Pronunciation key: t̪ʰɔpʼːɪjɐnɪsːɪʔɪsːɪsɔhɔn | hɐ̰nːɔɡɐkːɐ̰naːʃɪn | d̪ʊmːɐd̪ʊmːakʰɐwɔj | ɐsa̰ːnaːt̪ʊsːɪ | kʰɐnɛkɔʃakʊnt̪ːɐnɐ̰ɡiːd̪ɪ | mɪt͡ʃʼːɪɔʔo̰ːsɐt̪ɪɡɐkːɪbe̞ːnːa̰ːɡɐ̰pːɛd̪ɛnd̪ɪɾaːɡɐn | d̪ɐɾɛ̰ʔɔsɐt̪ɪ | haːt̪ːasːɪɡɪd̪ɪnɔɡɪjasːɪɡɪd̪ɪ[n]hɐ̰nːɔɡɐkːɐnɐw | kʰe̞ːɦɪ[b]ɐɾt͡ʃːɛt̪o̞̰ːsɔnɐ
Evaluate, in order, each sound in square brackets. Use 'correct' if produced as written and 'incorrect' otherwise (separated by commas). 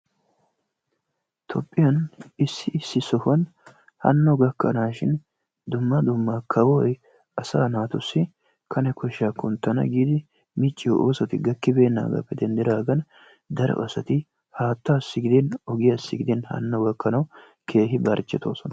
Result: correct, correct